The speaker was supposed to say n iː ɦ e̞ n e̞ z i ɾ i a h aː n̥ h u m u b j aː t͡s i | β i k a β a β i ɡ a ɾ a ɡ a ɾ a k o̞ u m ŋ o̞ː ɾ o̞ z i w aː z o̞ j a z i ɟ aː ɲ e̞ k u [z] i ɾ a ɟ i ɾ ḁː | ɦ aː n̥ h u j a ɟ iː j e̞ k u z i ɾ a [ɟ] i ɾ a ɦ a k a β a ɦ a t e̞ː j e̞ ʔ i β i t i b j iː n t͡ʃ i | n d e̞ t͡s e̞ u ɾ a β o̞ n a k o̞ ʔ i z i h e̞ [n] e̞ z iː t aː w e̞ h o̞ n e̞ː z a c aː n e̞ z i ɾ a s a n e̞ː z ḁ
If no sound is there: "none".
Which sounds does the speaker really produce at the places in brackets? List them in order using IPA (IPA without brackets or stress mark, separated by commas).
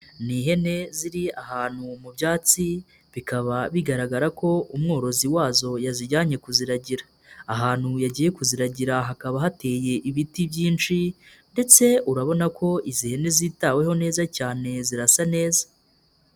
z, ɟ, n